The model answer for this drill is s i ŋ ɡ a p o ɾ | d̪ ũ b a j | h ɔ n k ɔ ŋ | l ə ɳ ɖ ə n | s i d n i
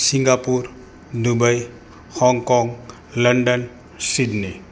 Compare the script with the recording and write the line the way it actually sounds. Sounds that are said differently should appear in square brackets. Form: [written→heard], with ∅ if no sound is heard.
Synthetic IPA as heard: s i ŋ ɡ a p [o→u] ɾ | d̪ [ũ→u] b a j | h ɔ [n→ŋ] k ɔ ŋ | l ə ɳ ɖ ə n | s i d n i